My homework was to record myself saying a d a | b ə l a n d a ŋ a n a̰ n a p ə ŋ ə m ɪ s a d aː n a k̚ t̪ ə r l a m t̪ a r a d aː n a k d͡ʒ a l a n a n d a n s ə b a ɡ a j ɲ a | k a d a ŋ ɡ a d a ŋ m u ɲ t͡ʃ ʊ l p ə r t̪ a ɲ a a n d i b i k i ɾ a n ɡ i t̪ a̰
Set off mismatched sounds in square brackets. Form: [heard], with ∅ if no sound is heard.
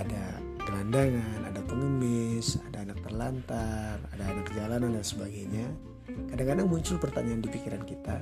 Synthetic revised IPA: a d a | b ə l a n d a ŋ a n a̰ [d] a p ə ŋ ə m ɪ s a d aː n a k̚ t̪ ə r l a [n] t̪ a r a d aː n a k d͡ʒ a l a n a n d a n s ə b a ɡ a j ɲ a | k a d a ŋ [k] a d a ŋ m u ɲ t͡ʃ ʊ l p ə r t̪ a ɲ a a n d i [p] i k i ɾ a n [k] i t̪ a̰